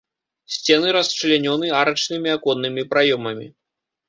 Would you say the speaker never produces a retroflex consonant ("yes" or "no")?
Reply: no